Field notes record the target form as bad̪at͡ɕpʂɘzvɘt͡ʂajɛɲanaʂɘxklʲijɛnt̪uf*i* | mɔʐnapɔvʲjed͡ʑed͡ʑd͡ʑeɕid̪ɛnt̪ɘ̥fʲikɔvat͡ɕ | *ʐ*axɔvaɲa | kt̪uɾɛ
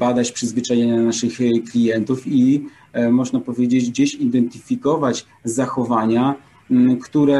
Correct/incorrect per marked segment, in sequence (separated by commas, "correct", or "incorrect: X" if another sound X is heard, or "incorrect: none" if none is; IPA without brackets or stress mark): correct, incorrect: z